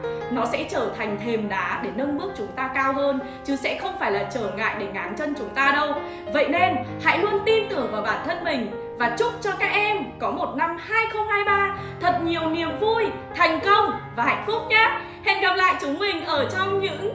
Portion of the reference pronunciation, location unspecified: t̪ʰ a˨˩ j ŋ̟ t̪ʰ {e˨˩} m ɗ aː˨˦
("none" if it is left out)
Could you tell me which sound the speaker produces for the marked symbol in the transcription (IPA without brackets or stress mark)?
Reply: e˨˩